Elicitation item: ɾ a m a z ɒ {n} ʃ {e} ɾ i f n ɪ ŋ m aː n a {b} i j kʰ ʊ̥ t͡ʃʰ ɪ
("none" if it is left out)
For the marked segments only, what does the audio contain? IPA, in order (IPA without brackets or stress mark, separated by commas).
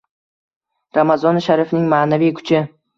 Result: n, a, v